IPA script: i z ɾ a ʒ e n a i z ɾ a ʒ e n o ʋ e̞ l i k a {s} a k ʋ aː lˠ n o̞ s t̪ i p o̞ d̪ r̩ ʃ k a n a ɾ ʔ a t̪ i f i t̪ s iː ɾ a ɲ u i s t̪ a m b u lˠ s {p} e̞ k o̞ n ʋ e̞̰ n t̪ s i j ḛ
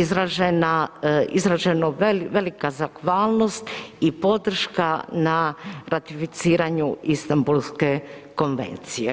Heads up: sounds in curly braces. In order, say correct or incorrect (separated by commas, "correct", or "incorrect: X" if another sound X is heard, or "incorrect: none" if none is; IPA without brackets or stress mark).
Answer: incorrect: z, incorrect: k